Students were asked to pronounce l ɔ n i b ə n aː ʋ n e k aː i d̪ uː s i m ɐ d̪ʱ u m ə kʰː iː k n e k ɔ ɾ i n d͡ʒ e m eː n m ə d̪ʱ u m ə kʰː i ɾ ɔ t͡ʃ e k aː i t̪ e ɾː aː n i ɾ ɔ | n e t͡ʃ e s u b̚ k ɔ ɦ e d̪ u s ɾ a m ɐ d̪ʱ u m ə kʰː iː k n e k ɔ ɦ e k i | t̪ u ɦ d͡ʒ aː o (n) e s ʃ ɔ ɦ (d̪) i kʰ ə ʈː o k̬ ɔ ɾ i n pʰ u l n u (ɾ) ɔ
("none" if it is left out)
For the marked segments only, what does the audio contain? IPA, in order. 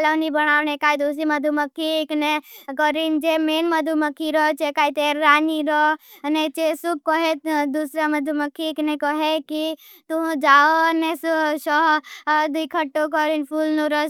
n, d̪, ɾ

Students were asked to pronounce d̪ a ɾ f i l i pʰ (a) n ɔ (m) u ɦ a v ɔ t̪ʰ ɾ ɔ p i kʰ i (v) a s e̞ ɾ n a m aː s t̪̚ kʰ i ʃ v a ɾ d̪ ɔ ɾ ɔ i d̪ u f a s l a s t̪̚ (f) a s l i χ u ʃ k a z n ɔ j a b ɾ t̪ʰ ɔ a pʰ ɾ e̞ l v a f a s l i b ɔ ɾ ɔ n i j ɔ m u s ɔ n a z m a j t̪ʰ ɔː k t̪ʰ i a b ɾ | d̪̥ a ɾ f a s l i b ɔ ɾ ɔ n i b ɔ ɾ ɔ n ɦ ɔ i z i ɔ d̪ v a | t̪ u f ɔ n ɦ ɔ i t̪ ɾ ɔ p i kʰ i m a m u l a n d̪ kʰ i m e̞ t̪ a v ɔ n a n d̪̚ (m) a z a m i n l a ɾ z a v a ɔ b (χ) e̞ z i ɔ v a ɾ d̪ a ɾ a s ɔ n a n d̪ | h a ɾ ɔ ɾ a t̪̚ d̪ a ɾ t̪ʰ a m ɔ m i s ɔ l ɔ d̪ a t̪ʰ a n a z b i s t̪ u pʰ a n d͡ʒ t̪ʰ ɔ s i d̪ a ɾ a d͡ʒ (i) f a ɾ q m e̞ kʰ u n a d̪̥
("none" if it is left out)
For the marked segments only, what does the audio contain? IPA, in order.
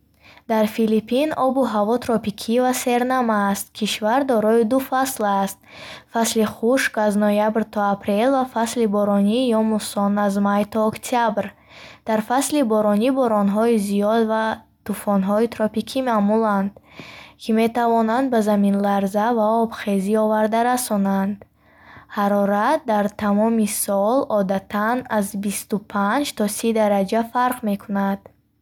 i, b, v, f, b, χ, a

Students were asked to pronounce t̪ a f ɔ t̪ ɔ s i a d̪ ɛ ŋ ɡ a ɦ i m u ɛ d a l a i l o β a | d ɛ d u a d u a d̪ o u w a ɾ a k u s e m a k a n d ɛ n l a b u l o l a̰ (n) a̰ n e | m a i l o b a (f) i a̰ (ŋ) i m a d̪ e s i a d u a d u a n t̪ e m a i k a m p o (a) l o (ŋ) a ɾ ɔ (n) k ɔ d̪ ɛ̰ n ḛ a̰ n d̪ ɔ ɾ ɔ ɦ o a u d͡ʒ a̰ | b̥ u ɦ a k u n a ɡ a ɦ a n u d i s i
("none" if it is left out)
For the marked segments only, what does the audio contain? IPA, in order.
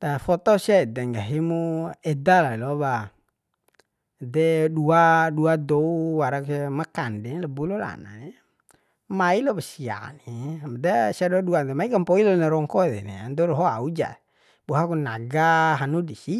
n, s, n, i, n, ŋ

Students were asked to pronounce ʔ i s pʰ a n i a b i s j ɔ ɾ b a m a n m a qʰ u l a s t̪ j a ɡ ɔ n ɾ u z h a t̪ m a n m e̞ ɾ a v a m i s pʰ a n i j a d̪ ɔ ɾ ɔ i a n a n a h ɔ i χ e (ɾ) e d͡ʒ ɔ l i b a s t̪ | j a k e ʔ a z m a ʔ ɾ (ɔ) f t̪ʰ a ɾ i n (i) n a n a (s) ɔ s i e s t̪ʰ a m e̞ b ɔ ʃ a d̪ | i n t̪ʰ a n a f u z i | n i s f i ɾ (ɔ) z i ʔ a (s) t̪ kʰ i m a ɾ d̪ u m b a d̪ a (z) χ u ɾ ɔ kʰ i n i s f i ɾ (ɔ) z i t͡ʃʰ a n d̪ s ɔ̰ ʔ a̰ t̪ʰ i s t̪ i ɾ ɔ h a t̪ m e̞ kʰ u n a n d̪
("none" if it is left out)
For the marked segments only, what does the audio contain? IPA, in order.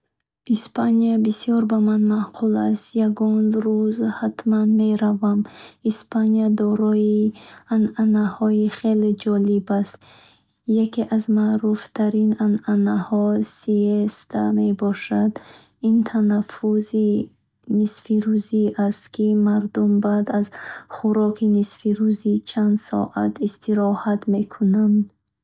l, u, a, h, u, s, z, u

